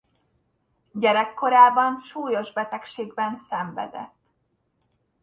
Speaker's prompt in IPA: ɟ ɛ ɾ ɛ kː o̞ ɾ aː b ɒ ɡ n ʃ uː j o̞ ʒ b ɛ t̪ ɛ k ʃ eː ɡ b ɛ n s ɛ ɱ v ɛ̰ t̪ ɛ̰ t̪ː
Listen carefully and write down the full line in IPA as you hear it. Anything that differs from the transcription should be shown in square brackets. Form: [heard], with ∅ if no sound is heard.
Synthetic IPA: ɟ ɛ ɾ ɛ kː o̞ ɾ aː b ɒ [∅] n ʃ uː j o̞ ʒ b ɛ t̪ ɛ k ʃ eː ɡ b ɛ n s ɛ ɱ v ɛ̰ [d̪] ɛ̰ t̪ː